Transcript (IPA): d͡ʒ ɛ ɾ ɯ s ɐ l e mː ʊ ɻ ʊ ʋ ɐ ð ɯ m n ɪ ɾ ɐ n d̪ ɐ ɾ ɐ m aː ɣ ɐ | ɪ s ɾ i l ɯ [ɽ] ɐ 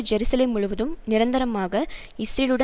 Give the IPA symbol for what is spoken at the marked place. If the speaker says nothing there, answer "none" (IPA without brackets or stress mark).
ɽ